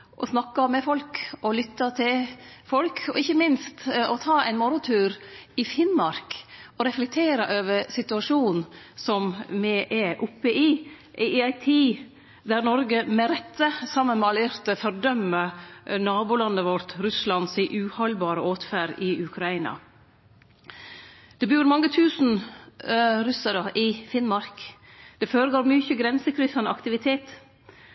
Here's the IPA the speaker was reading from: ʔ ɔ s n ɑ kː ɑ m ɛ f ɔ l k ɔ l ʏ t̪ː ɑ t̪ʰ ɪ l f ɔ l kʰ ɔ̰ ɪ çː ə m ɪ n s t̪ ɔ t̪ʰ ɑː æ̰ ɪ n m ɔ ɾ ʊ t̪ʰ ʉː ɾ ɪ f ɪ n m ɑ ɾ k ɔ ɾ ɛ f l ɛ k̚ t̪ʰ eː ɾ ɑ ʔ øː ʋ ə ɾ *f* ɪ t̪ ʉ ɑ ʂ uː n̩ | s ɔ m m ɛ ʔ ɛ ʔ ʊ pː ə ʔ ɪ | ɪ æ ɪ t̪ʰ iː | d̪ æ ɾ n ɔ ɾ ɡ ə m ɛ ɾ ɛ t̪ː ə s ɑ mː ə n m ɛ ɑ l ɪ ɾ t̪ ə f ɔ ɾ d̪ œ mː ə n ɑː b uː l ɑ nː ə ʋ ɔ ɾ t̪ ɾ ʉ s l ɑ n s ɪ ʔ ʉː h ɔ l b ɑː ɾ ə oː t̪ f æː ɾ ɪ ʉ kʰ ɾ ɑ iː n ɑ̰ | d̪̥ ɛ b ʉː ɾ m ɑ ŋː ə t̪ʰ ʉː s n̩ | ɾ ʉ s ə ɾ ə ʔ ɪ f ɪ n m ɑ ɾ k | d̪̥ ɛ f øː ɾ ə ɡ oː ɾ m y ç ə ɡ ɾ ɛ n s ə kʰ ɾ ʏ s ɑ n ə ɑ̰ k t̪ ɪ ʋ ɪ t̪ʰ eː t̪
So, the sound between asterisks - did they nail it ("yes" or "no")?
no